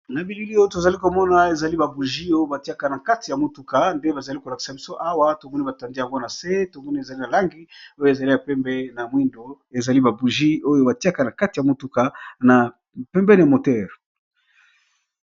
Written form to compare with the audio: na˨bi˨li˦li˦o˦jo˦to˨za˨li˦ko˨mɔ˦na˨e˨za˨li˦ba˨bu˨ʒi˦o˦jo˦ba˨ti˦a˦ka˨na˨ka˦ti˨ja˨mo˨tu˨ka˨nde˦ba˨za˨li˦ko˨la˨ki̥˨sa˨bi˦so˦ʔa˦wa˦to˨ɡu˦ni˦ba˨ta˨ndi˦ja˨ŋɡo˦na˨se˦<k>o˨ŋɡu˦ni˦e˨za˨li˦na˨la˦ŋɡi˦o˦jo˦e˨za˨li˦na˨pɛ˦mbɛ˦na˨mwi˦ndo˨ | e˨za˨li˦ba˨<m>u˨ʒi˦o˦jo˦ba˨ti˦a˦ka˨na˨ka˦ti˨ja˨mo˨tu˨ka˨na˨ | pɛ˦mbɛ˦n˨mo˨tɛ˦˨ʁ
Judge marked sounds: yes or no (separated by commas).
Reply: no, no